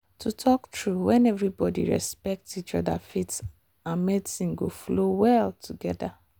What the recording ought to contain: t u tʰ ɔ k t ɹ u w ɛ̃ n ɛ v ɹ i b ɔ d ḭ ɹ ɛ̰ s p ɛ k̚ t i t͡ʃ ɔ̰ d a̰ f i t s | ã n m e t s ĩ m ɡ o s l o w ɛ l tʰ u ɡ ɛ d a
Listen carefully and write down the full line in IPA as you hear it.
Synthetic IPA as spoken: t u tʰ ɔ k t ɹ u w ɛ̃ n ɛ v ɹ i b ɔ d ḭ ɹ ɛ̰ s p ɛ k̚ t i t͡ʃ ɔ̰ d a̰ f i t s | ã n m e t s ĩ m ɡ o f l o w ɛ l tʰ u ɡ ɛ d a